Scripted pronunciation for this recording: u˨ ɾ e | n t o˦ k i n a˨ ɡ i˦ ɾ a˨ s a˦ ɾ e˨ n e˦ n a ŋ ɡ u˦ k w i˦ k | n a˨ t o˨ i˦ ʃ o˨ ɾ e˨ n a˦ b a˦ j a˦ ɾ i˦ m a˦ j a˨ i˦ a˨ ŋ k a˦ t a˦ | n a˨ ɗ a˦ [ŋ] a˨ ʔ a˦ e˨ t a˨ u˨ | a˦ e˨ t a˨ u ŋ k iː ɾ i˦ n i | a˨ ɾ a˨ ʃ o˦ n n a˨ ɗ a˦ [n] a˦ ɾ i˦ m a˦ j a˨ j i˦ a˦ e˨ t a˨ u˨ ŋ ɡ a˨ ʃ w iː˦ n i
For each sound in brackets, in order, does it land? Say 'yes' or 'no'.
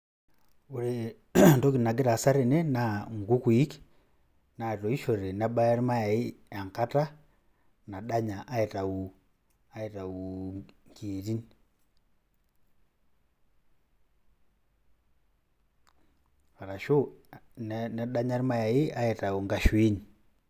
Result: no, no

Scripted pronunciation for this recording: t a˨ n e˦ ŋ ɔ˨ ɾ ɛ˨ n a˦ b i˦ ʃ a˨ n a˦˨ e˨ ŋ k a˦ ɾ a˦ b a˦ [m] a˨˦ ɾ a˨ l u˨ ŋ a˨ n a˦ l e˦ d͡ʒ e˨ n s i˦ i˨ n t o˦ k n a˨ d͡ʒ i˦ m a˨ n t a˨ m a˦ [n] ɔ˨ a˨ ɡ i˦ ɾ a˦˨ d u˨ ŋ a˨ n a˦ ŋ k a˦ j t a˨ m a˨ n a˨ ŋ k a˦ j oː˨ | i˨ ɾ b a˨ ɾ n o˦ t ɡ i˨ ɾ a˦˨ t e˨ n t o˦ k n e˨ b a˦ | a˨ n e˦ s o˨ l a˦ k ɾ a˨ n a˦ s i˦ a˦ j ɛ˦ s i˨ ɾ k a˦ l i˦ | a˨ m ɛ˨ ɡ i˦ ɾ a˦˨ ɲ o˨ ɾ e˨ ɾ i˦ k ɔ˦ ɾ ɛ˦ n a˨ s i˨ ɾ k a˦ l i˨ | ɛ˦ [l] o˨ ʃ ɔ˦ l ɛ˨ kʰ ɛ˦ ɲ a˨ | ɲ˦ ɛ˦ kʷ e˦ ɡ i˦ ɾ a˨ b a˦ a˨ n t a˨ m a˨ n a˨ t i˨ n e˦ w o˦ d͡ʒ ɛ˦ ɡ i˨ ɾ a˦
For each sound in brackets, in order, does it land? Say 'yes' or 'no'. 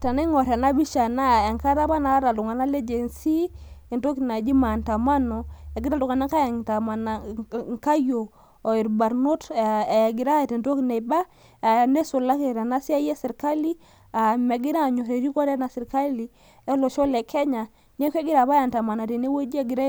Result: no, yes, yes

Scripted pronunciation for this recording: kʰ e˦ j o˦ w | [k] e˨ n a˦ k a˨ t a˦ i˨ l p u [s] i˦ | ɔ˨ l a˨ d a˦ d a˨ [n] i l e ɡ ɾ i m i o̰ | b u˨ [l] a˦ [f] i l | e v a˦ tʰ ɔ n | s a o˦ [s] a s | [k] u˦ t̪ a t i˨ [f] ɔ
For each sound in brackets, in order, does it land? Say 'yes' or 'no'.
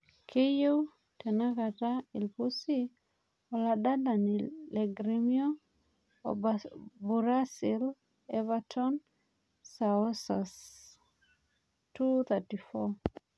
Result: no, yes, yes, no, no, yes, no, yes

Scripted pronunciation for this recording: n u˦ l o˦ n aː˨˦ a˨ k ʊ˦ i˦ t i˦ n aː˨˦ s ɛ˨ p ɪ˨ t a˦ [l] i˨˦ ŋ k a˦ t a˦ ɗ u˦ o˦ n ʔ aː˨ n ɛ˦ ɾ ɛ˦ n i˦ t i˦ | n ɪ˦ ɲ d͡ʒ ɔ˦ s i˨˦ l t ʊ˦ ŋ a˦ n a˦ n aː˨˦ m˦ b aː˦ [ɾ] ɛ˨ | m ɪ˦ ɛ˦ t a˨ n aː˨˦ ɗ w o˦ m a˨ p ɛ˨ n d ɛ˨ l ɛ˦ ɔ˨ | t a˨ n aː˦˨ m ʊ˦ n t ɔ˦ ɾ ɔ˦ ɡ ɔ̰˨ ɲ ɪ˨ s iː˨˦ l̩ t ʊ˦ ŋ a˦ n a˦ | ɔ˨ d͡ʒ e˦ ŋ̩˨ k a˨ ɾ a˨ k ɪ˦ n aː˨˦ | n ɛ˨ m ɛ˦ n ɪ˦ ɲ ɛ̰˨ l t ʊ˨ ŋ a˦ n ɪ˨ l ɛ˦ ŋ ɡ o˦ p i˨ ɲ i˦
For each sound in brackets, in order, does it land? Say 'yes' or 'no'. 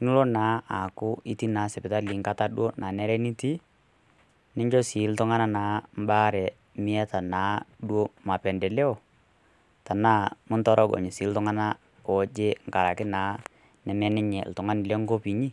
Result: yes, yes

